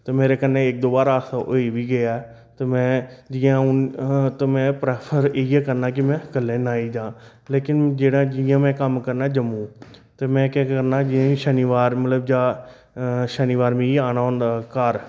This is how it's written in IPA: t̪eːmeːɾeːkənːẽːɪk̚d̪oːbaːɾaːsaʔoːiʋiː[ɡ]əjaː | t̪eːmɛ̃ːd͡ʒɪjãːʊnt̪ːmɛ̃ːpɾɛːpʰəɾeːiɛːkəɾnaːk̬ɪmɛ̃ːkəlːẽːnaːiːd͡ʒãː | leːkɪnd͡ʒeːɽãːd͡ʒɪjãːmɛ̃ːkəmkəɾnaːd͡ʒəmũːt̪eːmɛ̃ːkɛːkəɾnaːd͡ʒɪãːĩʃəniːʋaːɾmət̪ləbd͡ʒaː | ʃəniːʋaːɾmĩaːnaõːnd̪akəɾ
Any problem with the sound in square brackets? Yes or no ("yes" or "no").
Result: no